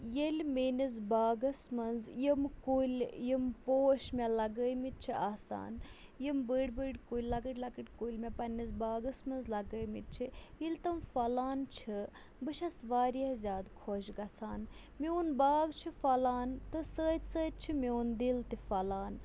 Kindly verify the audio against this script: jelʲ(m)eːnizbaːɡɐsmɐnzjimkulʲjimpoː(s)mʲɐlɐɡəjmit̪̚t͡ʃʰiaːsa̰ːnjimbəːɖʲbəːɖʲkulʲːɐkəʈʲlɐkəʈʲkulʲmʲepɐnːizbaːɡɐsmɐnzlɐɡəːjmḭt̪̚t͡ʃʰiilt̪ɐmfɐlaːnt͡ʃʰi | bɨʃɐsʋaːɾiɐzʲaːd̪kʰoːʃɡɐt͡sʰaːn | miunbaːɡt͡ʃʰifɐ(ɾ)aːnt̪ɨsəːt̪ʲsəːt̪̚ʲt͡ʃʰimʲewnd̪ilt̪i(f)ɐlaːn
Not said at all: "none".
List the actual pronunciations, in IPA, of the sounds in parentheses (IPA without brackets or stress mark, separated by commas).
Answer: m, ʃ, l, f